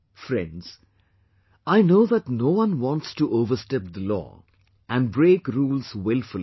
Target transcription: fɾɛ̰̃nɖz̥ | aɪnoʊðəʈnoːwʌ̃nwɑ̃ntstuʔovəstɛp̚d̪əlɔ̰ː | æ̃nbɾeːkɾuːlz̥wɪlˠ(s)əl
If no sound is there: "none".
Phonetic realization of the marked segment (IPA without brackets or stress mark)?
f